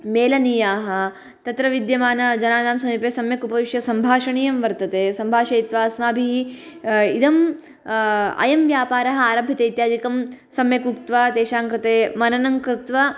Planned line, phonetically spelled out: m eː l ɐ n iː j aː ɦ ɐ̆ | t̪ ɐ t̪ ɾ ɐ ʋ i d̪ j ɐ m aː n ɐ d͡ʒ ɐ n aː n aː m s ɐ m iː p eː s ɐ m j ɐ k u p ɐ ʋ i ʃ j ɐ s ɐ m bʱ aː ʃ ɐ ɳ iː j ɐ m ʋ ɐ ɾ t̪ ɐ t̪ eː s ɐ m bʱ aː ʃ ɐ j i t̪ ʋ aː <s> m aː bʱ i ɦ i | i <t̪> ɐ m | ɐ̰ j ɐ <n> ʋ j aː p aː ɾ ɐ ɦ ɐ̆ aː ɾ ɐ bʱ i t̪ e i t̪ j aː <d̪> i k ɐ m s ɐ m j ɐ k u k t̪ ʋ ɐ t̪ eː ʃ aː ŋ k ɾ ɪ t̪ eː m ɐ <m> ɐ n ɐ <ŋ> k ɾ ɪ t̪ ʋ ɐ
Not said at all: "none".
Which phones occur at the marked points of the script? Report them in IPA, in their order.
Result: s, d̪, m, d̪, n, ŋ

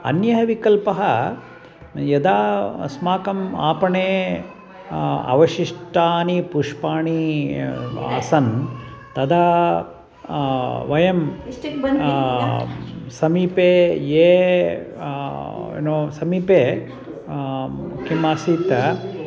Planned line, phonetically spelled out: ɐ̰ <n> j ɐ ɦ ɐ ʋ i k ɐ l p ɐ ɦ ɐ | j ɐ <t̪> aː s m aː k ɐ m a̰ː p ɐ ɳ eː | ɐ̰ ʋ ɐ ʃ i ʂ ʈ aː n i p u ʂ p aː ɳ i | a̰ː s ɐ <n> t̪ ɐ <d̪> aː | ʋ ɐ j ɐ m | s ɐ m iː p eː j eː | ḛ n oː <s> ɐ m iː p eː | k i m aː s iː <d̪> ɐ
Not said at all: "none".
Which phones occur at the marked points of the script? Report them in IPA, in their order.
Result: n, d̪, n, d̪, s, t̪

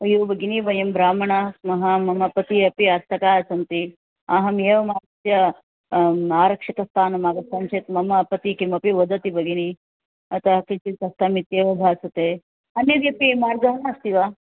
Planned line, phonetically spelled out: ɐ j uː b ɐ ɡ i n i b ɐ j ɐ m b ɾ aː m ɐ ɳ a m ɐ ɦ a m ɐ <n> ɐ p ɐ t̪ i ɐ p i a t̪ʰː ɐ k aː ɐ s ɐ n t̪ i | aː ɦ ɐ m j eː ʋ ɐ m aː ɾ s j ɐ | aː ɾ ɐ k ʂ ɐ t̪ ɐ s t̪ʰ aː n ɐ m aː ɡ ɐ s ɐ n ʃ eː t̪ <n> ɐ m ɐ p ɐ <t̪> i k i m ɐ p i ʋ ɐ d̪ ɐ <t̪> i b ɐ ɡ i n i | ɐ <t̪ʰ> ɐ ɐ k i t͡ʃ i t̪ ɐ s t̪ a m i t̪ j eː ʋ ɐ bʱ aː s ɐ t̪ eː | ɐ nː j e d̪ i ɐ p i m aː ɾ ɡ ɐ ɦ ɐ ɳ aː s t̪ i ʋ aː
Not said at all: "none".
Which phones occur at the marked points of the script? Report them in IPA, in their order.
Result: m, m, t̪, t̪, t̪

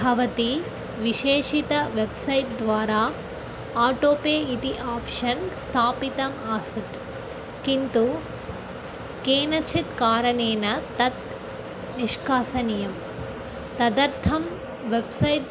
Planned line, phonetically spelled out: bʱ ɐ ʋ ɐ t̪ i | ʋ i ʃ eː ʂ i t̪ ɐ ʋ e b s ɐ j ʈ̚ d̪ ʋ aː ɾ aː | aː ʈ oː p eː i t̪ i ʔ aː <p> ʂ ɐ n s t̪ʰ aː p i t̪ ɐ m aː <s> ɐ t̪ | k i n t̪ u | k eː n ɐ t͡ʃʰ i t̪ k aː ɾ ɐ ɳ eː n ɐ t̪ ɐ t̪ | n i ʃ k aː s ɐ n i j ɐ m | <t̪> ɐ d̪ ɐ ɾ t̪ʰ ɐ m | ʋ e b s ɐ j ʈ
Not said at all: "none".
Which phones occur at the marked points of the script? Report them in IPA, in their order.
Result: p, s, t̪

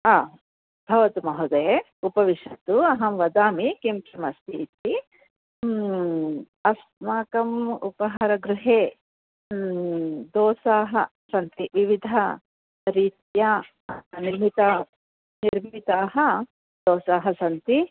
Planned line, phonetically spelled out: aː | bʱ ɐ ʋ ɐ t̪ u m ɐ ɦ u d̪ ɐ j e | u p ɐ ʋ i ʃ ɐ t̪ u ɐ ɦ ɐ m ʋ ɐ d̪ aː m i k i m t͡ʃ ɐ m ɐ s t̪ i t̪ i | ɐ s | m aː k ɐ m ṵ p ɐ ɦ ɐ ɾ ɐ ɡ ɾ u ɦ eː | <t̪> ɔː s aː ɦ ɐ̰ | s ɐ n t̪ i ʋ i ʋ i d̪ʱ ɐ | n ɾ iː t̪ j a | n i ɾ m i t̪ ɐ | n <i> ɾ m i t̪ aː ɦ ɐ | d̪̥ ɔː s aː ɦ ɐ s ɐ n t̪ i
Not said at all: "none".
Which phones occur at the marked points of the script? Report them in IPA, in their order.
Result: d̪, i

